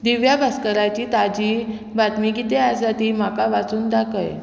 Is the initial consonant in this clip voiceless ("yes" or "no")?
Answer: no